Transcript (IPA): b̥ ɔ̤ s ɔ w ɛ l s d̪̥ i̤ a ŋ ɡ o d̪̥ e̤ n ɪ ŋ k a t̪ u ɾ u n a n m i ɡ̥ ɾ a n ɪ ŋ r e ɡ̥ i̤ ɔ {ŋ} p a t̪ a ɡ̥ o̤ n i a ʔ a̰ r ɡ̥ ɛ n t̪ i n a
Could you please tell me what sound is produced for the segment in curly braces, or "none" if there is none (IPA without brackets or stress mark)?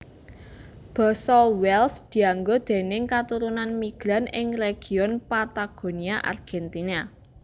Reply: n